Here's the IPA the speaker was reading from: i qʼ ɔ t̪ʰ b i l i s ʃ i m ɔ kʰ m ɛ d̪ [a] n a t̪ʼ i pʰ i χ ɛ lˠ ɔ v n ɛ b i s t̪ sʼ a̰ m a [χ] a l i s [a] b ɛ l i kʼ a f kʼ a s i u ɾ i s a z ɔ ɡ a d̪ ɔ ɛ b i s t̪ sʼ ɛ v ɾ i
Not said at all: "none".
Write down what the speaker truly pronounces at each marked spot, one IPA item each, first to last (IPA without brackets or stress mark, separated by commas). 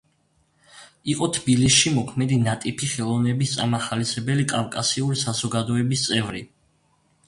i, χ, ɛ